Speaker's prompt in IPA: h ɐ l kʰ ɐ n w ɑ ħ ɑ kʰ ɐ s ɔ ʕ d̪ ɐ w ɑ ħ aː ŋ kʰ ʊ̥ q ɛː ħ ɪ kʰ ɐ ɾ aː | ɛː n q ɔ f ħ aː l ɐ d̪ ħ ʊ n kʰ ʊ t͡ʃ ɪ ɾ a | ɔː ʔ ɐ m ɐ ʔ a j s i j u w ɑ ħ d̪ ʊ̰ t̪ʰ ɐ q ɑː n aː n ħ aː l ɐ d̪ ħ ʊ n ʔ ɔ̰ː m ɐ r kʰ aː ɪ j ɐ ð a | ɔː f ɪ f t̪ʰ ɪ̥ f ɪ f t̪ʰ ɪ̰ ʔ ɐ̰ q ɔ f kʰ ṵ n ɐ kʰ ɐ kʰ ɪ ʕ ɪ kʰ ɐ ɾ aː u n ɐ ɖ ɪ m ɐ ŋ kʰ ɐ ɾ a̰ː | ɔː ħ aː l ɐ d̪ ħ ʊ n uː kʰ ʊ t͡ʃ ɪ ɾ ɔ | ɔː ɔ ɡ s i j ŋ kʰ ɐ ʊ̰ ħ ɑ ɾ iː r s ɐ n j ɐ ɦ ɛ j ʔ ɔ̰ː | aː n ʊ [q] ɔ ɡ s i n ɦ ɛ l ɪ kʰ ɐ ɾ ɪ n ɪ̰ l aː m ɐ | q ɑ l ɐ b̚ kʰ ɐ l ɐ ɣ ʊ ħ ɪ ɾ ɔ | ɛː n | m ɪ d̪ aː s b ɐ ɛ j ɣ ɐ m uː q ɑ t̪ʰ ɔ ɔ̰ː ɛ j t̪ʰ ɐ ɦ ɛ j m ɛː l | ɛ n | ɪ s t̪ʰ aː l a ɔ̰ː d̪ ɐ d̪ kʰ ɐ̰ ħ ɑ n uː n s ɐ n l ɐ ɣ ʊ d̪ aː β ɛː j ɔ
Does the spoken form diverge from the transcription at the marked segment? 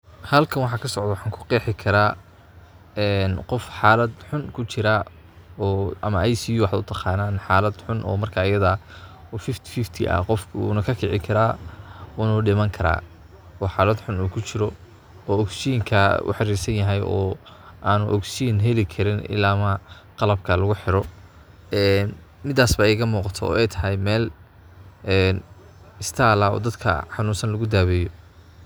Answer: yes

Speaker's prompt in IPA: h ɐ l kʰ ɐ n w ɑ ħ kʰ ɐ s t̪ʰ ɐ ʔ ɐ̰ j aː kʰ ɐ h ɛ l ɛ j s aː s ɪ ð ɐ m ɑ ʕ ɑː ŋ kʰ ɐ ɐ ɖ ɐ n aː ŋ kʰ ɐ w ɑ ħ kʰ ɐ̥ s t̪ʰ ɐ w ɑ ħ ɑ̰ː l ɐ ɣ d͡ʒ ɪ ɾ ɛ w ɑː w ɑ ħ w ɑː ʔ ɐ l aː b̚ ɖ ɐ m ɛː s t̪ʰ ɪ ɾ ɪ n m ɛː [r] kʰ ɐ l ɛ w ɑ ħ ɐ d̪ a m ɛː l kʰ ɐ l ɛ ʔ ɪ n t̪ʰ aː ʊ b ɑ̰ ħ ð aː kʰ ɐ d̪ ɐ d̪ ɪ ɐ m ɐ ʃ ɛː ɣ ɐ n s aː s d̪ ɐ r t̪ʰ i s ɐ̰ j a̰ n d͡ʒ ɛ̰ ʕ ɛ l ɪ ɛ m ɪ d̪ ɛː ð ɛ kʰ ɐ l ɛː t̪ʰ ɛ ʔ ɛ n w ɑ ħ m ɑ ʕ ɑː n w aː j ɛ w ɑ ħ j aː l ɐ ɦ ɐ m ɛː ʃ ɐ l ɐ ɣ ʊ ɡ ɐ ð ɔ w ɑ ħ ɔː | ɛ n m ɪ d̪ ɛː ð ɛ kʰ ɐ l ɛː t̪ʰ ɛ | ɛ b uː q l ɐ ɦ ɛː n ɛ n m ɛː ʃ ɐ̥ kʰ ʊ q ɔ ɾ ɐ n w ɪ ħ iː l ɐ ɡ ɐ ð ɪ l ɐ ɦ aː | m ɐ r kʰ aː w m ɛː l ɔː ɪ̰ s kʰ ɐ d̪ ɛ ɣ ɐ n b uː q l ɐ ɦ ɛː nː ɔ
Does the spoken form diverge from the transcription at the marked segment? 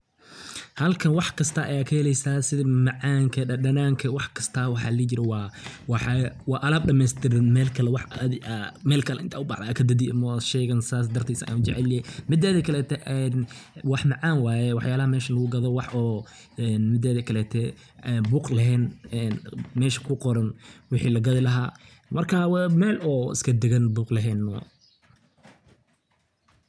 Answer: yes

